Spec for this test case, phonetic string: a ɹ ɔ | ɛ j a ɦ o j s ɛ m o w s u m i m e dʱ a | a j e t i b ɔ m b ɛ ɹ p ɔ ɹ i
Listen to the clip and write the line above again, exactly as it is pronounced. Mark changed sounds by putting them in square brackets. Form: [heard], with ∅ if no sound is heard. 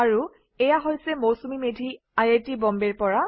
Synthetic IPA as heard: a ɹ [u] | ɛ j a ɦ o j s ɛ m o w s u m i m e dʱ [i] | a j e t i b ɔ m b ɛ ɹ p ɔ ɹ [a]